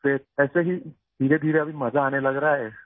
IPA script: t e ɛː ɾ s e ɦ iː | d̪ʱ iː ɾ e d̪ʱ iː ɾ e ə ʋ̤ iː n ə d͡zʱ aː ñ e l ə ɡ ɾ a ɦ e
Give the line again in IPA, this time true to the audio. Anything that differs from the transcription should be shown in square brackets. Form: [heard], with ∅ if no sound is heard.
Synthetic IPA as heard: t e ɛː [∅] s e ɦ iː | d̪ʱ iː ɾ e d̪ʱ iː ɾ e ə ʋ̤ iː [m] ə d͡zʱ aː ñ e l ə ɡ ɾ a ɦ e